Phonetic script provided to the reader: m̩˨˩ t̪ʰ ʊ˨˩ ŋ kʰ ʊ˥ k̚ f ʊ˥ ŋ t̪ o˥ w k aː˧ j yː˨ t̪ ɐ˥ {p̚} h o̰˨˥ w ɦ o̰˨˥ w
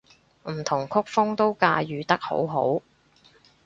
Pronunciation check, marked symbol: incorrect: k̚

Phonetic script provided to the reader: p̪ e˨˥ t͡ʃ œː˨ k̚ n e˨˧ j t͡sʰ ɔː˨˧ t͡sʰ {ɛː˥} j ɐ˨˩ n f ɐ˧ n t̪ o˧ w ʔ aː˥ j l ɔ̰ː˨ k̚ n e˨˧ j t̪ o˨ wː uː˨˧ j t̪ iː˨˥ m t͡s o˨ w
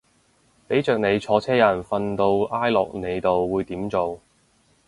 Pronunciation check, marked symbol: correct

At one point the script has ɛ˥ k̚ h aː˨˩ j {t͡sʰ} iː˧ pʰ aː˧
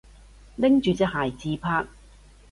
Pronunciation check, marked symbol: incorrect: t͡s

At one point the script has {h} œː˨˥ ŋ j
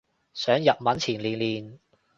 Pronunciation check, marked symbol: incorrect: s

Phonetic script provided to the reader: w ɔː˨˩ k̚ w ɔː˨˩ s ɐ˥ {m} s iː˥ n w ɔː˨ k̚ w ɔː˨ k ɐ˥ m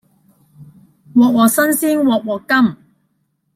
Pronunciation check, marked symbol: incorrect: n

